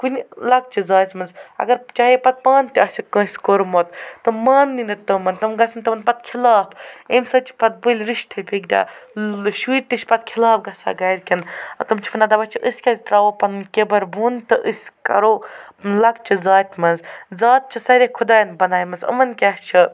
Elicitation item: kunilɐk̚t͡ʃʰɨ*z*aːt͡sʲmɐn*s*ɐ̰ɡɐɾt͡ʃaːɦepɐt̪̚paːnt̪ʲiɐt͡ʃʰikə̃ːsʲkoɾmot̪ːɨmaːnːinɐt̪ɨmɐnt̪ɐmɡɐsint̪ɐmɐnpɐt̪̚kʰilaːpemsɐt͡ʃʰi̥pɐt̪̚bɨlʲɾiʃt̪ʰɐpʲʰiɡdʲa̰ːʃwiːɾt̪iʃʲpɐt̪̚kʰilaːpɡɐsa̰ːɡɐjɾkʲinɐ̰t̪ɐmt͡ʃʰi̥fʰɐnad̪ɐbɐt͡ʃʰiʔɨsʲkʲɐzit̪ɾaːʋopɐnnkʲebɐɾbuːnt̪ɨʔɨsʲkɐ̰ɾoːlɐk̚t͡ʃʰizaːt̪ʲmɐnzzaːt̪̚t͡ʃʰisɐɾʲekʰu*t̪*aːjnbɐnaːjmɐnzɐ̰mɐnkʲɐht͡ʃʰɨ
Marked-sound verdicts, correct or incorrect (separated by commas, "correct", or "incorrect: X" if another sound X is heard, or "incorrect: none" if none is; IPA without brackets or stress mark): correct, incorrect: z, incorrect: d̪